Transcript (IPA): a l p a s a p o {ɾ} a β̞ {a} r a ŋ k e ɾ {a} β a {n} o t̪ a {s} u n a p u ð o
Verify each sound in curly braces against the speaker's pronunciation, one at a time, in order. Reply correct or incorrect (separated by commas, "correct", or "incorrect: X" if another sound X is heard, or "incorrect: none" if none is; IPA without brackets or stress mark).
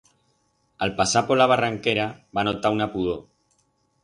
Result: incorrect: l, correct, correct, correct, incorrect: none